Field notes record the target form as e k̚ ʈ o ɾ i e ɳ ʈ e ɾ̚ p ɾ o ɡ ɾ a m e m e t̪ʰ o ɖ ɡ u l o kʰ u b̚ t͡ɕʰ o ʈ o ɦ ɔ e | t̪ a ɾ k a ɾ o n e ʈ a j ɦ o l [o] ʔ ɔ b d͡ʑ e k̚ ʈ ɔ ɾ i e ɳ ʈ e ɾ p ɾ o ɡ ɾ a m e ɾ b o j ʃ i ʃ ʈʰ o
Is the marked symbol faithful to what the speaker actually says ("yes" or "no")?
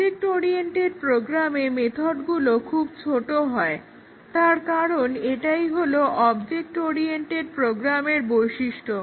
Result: yes